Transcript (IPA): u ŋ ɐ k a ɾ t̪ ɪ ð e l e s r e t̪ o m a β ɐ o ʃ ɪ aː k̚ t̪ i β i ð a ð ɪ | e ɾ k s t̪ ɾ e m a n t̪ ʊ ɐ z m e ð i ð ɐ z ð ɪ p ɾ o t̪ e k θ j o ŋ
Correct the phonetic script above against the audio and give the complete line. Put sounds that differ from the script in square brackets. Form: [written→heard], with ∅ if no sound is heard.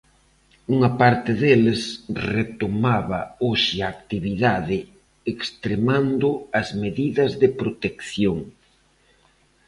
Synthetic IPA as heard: u ŋ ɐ [k→p] a ɾ t̪ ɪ ð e l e s r e t̪ o m a β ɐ o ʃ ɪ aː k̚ t̪ i β i ð a ð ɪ | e [ɾ→∅] k s t̪ ɾ e m a n [t̪→d̪] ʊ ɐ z m e ð i ð ɐ z ð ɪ p ɾ o t̪ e k θ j o ŋ